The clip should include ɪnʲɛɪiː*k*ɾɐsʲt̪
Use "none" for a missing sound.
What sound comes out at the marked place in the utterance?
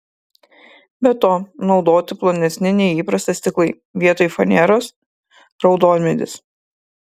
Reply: p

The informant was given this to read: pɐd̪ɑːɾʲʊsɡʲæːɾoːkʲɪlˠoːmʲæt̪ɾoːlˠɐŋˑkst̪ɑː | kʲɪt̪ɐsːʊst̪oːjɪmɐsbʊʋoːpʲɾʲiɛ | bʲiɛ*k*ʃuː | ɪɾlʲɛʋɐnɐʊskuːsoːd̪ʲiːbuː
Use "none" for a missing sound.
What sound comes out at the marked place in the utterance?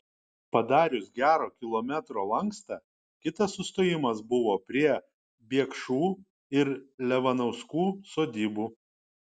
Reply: k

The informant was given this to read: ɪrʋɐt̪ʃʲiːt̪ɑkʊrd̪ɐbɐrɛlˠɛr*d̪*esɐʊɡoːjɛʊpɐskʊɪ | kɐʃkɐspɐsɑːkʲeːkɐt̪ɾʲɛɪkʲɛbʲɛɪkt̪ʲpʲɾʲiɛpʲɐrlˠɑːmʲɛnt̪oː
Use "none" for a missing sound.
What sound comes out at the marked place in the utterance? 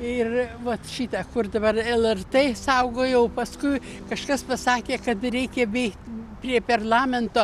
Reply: t̪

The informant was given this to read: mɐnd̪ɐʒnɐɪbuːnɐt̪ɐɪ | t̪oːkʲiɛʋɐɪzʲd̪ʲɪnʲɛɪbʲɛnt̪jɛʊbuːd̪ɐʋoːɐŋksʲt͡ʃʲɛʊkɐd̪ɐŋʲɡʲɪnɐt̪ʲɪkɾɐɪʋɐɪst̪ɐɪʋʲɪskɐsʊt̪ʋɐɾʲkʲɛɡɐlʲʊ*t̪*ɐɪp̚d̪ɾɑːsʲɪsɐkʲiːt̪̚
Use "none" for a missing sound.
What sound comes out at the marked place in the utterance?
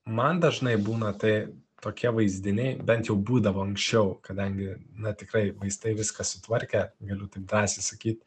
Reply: t̪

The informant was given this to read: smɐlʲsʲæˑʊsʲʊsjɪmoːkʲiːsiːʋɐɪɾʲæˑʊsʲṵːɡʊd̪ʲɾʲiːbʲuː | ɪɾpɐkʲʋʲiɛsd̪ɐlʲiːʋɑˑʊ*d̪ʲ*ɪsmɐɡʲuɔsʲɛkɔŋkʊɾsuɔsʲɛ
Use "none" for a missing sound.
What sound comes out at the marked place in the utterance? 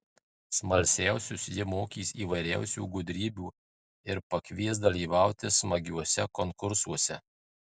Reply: t̪ʲ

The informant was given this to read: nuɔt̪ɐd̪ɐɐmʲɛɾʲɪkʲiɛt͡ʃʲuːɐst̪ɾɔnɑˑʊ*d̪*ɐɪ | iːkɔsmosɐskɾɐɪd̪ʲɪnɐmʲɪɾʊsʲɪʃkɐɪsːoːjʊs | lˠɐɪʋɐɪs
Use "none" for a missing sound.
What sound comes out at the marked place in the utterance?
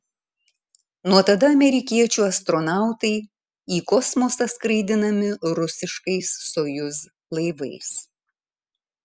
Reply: t̪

